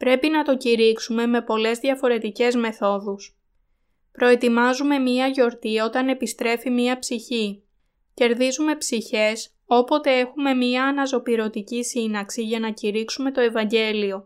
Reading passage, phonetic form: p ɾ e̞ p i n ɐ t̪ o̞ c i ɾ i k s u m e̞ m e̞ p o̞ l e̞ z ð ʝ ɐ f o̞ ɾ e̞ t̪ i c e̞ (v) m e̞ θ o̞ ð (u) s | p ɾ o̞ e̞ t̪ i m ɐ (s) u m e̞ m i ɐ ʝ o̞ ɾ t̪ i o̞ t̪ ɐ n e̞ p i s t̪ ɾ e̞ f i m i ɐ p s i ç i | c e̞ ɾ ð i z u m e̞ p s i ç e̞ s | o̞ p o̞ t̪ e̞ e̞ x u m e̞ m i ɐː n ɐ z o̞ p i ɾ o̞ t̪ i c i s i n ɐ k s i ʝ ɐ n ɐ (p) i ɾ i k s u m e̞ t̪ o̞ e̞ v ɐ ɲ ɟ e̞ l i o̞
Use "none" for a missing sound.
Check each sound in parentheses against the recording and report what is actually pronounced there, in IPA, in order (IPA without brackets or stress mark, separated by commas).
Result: z, u, z, c